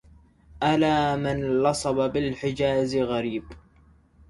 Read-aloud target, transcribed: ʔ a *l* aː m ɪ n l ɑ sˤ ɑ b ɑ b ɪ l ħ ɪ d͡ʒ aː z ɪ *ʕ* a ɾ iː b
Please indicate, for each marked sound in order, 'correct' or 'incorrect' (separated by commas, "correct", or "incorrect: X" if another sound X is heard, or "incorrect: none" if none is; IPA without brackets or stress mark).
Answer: correct, incorrect: ɣ